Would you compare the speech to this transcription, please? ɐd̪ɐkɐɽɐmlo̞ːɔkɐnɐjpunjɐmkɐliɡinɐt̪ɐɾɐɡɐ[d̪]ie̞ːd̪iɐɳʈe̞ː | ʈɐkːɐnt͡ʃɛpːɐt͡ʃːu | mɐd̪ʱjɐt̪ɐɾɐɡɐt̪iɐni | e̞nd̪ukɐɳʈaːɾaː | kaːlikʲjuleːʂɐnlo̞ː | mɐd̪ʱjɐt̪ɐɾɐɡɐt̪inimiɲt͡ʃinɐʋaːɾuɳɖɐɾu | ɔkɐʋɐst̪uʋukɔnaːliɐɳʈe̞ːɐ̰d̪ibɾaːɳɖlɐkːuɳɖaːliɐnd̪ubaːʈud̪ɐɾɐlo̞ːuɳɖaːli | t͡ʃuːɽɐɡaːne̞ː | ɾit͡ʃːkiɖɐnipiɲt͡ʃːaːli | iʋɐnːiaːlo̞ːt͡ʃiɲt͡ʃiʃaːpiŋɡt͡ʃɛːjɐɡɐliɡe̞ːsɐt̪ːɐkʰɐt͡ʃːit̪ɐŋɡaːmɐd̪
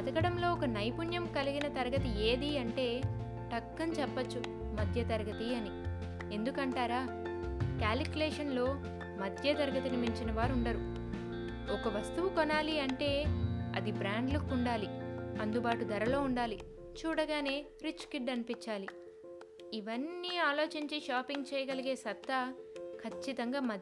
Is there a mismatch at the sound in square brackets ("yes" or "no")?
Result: yes